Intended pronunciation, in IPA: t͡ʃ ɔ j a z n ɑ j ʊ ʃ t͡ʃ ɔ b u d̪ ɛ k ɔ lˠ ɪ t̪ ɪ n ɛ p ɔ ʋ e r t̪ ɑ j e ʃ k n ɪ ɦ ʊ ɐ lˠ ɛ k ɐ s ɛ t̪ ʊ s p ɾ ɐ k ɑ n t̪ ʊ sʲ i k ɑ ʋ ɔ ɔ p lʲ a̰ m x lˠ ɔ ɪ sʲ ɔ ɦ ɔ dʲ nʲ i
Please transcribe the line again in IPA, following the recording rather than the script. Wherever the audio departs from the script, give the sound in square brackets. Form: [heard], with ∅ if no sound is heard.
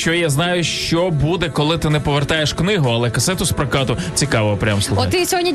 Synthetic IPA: t͡ʃ ɔ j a z n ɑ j ʊ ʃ t͡ʃ ɔ b u d̪ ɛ k ɔ lˠ ɪ t̪ ɪ n ɛ p ɔ ʋ e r t̪ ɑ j e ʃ k n ɪ ɦ ʊ ɐ lˠ ɛ k ɐ s ɛ t̪ ʊ s p ɾ ɐ k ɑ [∅] t̪ ʊ [t͡sʲ] i k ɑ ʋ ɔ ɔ p [ɾʲ] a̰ m [s] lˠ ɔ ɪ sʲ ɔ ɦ ɔ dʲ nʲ i